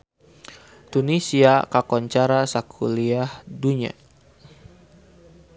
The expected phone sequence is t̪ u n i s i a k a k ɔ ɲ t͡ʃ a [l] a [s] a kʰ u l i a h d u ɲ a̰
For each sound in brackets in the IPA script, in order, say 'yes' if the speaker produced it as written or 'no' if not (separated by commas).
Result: no, yes